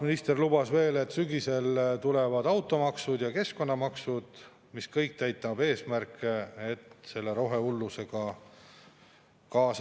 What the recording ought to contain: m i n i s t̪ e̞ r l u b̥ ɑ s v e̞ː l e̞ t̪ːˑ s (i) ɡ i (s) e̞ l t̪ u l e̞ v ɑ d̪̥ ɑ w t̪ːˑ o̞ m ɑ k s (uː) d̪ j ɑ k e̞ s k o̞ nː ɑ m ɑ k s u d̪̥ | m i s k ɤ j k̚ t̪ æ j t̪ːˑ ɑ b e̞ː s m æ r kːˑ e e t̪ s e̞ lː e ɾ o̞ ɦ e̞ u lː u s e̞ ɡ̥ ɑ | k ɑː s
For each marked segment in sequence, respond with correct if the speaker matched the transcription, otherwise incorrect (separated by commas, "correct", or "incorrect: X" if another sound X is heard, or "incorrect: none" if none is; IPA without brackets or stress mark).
incorrect: y, correct, incorrect: u